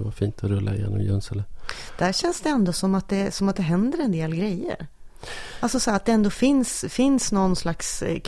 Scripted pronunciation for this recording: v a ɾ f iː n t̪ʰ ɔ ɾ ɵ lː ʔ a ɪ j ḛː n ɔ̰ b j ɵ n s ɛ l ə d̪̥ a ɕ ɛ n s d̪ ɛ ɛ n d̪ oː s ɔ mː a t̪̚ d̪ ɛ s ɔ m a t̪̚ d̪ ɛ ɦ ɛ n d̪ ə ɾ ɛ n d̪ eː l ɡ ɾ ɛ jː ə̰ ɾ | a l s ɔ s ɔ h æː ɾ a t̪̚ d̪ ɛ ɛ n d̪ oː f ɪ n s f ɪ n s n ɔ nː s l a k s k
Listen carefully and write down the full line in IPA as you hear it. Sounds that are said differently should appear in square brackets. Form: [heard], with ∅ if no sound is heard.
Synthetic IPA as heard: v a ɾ f iː n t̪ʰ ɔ ɾ ɵ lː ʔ a ɪ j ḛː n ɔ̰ [m] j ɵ n s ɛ l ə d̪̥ [æ] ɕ ɛ n s d̪ ɛ ɛ n d̪ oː s ɔ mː a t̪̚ d̪ ɛ s ɔ m a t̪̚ d̪ ɛ ɦ ɛ n d̪ ə ɾ ɛ n d̪ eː l ɡ ɾ ɛ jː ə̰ ɾ | a l s ɔ s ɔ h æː ɾ a t̪̚ d̪ ɛ ɛ n d̪ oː f ɪ n s f ɪ n s n ɔ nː s l a k s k